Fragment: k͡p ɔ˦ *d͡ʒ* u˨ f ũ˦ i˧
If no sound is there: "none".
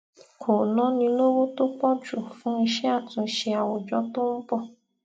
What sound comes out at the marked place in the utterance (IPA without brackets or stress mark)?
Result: d͡ʒ